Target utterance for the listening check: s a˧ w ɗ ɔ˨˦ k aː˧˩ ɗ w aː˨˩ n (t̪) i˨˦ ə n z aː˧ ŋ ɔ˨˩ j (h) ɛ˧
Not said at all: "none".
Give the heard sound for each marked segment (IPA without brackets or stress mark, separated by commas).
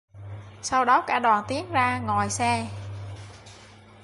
t̪, s